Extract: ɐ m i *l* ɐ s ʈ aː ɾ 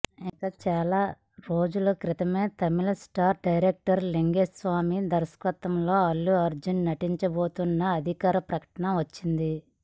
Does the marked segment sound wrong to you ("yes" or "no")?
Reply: no